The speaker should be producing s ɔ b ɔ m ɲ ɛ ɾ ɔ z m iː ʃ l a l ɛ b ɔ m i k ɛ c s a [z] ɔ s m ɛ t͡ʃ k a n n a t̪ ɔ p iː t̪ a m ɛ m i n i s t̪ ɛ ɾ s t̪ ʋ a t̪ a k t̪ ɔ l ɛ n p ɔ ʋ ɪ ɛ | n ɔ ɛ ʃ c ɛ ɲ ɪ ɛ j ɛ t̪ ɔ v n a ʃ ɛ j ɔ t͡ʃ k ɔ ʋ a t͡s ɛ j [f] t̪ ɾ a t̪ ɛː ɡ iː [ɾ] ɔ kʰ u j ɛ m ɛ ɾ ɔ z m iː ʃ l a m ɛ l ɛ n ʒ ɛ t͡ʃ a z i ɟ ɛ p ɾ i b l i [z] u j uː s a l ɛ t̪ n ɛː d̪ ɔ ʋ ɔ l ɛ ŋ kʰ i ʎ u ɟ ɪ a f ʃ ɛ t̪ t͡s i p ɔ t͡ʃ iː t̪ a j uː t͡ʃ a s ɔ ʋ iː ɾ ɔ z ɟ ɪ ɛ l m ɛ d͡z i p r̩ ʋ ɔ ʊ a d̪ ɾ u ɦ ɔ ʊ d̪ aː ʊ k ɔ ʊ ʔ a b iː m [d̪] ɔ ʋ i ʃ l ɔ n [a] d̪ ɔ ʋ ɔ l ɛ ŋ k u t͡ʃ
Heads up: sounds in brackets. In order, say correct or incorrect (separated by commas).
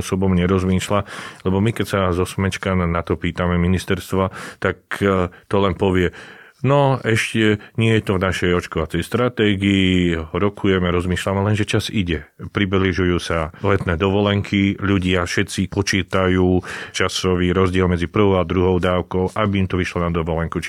correct, incorrect, correct, incorrect, incorrect, correct